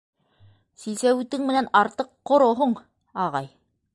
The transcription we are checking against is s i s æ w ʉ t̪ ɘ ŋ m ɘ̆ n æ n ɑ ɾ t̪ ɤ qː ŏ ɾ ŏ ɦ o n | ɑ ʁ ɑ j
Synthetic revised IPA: s i s æ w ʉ t̪ ɘ ŋ m ɘ̆ n æ n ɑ ɾ t̪ ɤ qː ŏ ɾ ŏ ɦ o ɴ | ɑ ʁ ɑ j